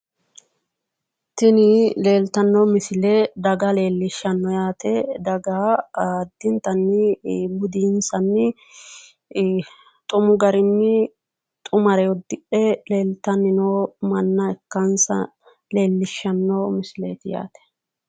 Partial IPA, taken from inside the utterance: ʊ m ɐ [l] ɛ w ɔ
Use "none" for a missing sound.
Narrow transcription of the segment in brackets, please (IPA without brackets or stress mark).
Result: ɾ